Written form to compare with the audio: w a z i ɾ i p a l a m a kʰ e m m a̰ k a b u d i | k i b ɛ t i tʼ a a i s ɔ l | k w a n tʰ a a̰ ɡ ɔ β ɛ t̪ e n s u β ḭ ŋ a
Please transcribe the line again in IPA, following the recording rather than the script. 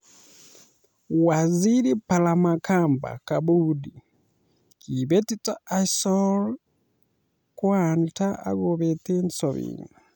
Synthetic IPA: w a z i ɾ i p a l a m a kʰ a m b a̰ k a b u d i | k i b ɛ t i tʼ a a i s ɔ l | k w a n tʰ a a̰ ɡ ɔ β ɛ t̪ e n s ɔ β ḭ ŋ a